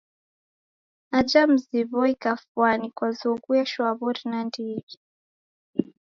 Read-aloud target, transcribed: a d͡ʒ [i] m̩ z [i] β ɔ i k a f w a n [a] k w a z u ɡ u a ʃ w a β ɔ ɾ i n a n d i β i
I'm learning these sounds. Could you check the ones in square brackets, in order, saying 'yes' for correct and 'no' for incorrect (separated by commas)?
no, yes, no